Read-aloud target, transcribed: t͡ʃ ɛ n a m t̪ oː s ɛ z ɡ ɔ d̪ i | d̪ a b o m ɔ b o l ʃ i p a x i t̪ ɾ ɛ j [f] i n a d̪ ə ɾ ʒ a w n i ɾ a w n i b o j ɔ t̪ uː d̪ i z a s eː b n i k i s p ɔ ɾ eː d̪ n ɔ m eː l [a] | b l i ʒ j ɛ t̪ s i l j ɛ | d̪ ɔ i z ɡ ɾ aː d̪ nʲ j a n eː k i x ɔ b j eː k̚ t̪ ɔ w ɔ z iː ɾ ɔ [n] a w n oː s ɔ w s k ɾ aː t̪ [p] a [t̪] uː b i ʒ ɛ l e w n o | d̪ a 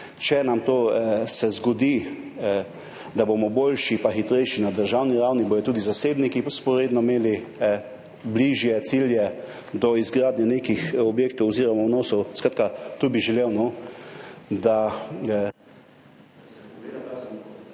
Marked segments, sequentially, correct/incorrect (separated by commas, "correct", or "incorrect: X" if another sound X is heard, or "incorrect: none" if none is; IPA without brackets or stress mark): incorrect: ʃ, incorrect: i, incorrect: m, incorrect: k, correct